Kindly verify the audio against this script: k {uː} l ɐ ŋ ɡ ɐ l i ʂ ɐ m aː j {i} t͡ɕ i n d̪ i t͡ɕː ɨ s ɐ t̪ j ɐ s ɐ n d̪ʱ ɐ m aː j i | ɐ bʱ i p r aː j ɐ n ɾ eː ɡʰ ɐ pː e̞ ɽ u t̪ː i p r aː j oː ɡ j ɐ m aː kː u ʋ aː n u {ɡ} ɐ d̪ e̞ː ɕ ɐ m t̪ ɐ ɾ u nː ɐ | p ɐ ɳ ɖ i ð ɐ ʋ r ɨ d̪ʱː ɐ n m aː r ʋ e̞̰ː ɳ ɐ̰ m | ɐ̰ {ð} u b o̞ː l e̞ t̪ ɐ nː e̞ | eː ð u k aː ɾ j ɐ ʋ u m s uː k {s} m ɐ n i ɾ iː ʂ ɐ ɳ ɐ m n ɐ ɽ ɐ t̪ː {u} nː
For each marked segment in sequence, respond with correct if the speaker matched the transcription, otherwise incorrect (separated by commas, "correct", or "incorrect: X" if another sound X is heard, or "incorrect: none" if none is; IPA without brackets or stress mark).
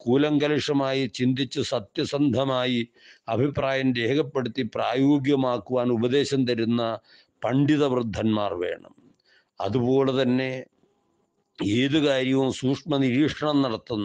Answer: correct, correct, incorrect: b, correct, incorrect: ʂ, correct